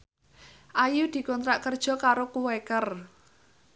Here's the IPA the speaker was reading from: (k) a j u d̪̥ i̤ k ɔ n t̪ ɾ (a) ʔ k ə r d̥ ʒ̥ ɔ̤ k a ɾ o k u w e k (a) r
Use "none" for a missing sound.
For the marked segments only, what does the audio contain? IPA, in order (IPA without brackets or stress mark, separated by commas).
ʔ, a, ə